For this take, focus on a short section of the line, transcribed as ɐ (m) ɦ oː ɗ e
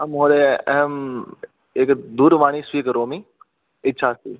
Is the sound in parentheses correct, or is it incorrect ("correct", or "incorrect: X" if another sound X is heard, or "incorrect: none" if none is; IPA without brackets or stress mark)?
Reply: correct